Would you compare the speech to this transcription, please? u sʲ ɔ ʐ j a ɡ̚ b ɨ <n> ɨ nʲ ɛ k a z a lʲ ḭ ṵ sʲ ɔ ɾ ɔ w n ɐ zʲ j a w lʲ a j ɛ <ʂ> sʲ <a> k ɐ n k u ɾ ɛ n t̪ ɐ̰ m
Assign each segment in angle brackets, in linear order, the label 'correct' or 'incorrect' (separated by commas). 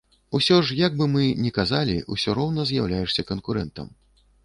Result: incorrect, correct, incorrect